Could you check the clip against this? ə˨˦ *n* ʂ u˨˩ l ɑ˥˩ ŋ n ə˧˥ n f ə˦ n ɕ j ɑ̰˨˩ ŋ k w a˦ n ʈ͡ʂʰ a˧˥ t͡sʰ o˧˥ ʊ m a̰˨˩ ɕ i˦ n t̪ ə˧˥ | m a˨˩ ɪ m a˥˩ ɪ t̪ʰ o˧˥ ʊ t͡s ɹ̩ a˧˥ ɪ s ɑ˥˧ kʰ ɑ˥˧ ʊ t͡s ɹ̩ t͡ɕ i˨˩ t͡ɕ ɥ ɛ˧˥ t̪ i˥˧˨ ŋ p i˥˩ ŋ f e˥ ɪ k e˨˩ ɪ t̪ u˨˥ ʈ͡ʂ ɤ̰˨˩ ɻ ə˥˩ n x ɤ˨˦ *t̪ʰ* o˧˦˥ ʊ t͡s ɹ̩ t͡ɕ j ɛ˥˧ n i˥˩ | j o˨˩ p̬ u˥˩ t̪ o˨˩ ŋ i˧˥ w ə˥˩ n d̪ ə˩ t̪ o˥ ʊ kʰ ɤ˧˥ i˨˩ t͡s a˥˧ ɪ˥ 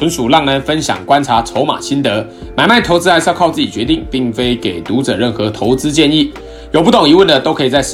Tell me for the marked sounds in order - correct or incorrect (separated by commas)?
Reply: correct, correct